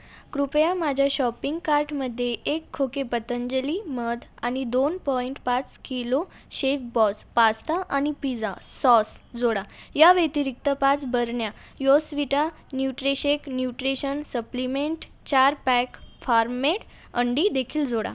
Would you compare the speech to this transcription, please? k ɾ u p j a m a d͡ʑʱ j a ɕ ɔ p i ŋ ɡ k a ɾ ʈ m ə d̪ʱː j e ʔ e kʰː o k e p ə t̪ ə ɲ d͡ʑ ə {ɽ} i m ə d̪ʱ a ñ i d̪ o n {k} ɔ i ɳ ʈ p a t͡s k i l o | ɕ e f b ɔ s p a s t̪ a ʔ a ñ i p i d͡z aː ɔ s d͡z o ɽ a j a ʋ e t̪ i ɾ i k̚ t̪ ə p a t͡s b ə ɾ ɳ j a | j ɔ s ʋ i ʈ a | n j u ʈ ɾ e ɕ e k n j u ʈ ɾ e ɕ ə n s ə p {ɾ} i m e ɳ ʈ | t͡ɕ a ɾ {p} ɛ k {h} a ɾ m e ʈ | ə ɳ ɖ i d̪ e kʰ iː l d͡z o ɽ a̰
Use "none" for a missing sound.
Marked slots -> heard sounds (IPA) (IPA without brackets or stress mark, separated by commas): l, p, l, p, f